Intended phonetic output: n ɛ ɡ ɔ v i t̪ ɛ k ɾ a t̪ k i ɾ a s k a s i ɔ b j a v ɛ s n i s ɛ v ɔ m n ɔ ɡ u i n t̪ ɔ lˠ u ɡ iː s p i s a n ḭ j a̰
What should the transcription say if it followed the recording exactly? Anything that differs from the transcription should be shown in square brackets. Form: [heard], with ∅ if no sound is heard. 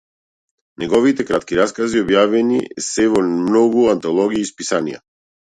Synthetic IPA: n ɛ ɡ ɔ v i t̪ ɛ k ɾ a t̪ k i ɾ a s k a [z] i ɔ b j a v ɛ [∅] n i s ɛ v ɔ m n ɔ ɡ u [a] n t̪ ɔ lˠ [ɔ] ɡ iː s p i s a n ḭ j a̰